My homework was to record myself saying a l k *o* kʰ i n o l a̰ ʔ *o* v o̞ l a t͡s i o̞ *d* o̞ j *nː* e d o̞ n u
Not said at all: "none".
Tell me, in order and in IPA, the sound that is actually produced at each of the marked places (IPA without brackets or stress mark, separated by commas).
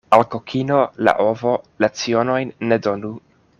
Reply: o, o, n, nː